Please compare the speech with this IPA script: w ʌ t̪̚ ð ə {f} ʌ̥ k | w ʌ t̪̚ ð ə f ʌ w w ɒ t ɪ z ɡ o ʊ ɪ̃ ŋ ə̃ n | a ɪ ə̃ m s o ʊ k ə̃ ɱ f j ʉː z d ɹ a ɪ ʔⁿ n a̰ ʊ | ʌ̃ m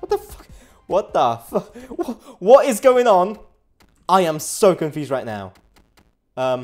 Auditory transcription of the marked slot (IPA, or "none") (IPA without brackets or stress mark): f